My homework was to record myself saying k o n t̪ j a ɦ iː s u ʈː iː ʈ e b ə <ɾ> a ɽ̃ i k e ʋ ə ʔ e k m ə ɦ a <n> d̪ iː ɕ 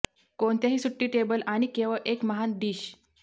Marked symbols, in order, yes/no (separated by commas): no, yes